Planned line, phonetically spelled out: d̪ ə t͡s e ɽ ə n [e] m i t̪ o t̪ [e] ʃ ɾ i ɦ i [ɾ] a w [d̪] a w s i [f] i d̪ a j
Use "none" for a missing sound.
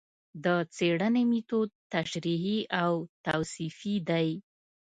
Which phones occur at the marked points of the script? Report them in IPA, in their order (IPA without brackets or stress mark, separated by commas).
e, a, none, t̪, f